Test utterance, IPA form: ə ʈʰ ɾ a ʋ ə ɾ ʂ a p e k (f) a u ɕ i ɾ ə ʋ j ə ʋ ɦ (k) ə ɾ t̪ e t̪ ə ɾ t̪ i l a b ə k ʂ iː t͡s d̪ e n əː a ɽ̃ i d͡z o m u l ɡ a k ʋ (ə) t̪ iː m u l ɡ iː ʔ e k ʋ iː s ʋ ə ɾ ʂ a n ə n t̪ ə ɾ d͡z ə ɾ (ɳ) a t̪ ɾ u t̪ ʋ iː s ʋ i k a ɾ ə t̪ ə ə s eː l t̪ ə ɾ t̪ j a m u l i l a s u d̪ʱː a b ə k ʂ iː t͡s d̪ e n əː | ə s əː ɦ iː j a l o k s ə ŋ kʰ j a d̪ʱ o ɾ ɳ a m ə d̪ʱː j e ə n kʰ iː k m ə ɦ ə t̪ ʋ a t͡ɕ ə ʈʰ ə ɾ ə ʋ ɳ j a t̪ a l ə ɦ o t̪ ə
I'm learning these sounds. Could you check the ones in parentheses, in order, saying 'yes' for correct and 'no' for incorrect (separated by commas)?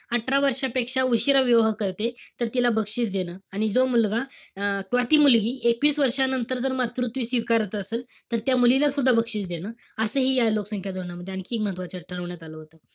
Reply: no, yes, no, no